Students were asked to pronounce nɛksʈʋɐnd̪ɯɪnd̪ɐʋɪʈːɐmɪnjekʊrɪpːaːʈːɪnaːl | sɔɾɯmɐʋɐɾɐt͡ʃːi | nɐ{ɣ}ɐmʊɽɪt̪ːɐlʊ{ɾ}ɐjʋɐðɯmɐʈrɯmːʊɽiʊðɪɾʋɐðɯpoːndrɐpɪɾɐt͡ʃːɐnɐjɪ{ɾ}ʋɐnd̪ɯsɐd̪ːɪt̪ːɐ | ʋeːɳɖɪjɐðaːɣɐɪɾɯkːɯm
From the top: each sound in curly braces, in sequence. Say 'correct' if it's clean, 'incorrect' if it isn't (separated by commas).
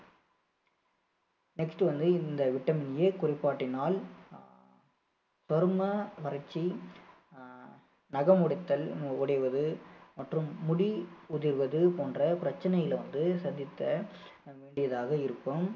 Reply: correct, incorrect, incorrect